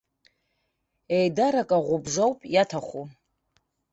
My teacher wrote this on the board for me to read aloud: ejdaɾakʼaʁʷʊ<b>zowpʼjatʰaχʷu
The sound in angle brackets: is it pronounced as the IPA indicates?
yes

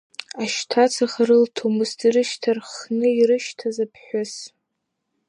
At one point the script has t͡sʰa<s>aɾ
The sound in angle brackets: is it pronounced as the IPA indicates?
no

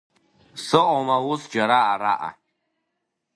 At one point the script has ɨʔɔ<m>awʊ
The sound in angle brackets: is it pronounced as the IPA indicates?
yes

